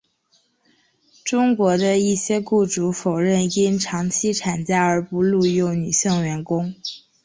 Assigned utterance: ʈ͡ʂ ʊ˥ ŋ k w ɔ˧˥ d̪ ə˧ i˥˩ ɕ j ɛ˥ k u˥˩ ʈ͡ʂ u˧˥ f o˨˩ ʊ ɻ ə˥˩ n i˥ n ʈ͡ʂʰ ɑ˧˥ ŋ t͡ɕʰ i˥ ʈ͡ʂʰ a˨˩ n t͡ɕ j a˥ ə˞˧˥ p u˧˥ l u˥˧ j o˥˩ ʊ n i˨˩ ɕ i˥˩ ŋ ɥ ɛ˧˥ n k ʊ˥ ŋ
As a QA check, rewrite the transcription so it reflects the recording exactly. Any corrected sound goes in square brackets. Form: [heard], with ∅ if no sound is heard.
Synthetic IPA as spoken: ʈ͡ʂ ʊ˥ ŋ k w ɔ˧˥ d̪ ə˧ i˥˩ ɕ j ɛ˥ k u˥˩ ʈ͡ʂ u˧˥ f o˨˩ ʊ ɻ ə˥˩ n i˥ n ʈ͡ʂʰ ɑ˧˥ ŋ t͡ɕʰ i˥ ʈ͡ʂʰ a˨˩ n t͡ɕ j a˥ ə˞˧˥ p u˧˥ l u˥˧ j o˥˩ ʊ n [y˨˩] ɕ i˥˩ ŋ ɥ ɛ˧˥ n k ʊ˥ ŋ